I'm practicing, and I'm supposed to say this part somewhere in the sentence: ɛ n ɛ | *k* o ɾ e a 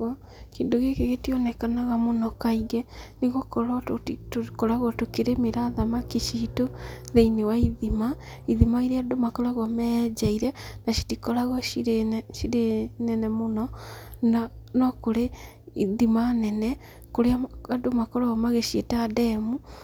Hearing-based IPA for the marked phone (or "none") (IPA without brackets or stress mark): k